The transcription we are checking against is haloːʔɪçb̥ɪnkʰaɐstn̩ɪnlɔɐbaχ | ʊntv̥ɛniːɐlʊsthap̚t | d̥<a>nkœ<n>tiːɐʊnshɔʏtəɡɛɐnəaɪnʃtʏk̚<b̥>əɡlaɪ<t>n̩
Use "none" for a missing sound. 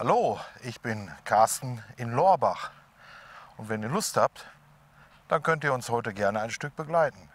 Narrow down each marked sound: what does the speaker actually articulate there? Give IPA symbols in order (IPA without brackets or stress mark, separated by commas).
a, n, b̥, t